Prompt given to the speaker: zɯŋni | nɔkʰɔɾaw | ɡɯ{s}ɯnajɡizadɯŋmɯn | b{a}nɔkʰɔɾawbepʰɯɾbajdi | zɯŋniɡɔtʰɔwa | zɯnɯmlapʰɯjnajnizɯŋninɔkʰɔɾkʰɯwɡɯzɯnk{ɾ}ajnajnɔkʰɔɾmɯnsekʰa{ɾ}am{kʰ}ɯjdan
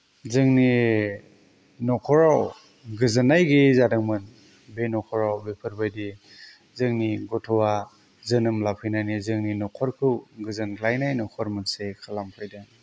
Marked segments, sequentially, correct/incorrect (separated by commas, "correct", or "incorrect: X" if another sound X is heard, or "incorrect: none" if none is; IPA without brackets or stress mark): incorrect: z, incorrect: e, incorrect: l, incorrect: l, incorrect: pʰ